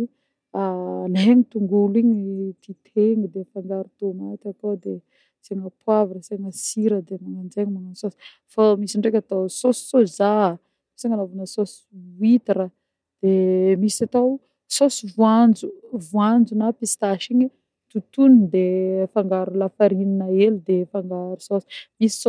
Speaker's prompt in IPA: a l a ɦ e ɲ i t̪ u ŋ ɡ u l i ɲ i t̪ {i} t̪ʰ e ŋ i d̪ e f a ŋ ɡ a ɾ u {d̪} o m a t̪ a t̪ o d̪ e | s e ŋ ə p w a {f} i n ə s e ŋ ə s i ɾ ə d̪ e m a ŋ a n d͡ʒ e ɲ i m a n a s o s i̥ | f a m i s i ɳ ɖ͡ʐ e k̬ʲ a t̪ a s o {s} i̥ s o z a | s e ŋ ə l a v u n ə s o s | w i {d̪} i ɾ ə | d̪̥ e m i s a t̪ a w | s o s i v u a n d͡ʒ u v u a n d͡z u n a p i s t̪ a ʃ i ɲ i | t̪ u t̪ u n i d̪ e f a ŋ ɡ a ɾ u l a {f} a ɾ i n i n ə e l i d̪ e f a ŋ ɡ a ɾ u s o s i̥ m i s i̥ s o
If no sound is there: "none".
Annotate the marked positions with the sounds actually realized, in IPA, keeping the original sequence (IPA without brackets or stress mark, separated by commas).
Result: i, t̪, v, s, t̪, f